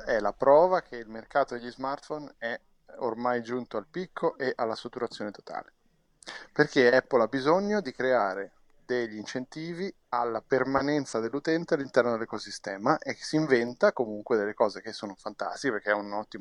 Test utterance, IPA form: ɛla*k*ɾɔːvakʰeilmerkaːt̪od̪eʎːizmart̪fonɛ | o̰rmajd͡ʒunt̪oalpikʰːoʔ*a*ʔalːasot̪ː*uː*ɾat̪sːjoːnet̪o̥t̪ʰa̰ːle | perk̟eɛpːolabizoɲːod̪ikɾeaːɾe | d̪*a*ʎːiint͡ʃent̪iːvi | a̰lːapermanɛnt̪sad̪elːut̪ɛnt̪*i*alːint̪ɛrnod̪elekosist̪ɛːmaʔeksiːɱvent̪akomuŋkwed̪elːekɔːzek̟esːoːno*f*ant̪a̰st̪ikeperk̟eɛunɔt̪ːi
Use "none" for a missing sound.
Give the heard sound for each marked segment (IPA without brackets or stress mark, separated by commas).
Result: p, e, u, e, e, f